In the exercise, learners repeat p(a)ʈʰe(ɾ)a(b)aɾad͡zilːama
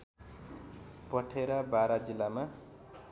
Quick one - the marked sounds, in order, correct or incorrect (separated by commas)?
incorrect, correct, correct